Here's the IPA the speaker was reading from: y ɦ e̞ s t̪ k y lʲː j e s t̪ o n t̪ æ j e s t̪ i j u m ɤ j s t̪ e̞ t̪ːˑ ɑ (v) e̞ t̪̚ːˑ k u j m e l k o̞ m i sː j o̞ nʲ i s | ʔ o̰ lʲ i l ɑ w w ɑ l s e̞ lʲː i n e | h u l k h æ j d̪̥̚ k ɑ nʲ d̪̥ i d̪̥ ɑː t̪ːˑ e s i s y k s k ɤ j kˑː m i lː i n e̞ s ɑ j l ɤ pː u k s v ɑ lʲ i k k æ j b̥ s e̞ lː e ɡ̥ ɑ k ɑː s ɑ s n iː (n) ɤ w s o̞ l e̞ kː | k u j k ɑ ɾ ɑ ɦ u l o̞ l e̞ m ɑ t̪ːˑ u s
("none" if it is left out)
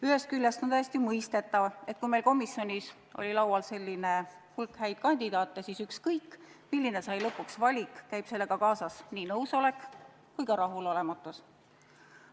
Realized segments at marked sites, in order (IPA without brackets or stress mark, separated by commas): v, n